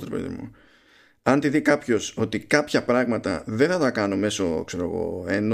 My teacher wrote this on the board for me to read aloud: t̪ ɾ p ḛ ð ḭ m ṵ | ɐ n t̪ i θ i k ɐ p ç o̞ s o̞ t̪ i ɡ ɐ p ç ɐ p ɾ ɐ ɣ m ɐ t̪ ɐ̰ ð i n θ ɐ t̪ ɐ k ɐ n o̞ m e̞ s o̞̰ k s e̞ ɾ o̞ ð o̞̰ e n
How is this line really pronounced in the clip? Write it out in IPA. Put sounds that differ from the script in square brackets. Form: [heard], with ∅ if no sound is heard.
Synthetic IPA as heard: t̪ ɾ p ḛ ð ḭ m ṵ | ɐ n t̪ i [ð] i k ɐ p ç o̞ s o̞ t̪ i [k] ɐ p ç ɐ p ɾ ɐ ɣ m ɐ t̪ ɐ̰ ð [e] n θ ɐ t̪ ɐ k ɐ n o̞ m e̞ s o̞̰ k s e̞ ɾ o̞ [ɣ] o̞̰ e n